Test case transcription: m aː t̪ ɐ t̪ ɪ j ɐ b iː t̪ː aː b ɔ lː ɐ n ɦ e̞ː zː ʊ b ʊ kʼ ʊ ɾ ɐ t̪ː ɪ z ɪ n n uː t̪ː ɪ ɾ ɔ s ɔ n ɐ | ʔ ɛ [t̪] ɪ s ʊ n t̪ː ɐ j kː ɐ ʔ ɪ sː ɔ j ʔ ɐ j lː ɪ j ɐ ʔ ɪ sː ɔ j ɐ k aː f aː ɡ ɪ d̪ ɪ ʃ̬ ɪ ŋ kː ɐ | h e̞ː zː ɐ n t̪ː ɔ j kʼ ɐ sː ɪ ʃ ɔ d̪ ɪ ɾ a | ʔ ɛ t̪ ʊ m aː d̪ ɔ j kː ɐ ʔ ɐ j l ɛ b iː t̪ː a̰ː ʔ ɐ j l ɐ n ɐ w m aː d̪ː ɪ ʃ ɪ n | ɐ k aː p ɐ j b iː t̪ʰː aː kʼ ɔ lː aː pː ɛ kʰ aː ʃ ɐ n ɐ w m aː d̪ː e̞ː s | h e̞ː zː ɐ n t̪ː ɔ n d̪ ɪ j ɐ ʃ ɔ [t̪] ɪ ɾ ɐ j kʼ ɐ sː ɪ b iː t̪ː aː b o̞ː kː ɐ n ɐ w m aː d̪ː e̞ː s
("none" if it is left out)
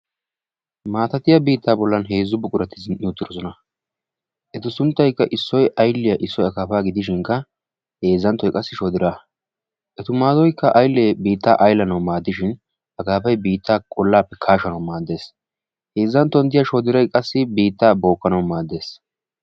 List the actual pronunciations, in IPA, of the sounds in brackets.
t̪, d̪

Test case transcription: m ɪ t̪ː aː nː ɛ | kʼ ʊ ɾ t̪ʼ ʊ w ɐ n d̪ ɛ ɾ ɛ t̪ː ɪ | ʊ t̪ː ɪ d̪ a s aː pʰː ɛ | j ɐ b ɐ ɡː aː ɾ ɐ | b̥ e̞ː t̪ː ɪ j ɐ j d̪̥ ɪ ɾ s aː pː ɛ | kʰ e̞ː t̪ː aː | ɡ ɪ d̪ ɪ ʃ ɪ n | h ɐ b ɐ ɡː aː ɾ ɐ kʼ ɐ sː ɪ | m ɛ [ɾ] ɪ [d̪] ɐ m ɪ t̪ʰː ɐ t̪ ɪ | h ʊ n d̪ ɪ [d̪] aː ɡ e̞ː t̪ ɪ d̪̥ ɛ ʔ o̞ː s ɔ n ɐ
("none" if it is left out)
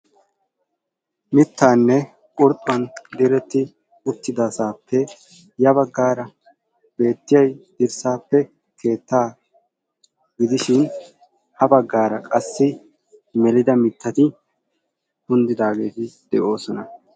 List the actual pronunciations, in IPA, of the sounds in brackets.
l, d̪, d̪

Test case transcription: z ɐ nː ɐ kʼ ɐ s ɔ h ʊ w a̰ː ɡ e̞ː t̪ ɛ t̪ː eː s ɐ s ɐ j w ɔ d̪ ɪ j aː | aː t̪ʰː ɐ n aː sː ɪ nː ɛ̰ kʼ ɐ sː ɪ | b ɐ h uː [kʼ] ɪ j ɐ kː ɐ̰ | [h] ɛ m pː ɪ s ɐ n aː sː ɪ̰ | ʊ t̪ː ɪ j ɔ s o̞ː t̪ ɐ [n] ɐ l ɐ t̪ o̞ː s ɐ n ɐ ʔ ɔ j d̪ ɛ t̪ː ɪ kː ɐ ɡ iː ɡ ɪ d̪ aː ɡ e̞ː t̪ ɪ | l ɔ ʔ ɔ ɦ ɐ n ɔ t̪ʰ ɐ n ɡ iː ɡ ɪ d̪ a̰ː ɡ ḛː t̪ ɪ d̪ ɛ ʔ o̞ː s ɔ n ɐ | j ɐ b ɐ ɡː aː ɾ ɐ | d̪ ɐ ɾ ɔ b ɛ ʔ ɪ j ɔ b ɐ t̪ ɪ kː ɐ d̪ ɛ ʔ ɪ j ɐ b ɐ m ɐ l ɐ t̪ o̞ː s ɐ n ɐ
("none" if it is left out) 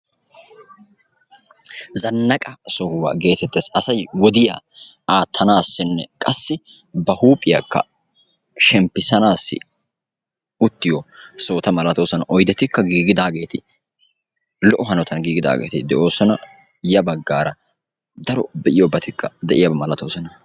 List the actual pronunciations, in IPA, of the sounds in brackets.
pʼ, ʃ, m

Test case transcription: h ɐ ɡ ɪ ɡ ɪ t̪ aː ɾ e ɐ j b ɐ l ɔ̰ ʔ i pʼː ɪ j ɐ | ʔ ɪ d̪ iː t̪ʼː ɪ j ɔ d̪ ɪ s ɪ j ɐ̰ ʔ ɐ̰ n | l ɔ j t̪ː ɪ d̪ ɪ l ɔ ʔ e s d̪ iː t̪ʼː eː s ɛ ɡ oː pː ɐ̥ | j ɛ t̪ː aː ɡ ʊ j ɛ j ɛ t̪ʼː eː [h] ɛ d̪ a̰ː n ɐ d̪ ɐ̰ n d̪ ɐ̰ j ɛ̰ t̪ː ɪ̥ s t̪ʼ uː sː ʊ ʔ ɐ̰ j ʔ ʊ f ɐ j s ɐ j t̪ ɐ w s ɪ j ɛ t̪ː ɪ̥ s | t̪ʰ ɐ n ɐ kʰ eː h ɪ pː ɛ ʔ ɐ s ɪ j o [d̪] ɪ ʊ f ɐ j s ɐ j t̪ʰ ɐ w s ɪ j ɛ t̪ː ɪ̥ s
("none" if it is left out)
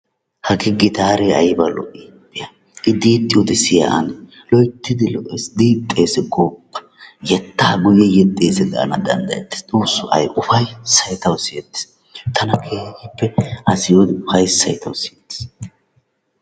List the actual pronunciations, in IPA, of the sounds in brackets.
s, d̪

